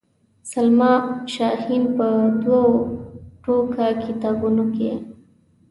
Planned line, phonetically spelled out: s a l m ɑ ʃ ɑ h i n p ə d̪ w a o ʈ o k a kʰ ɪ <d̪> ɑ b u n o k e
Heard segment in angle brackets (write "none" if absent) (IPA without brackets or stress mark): t̪